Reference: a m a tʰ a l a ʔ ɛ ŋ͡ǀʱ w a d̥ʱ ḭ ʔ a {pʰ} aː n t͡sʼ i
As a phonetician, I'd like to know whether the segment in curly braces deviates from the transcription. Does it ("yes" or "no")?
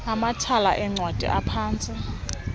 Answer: no